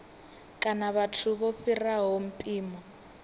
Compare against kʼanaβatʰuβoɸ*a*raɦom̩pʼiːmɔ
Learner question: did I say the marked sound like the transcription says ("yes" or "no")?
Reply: no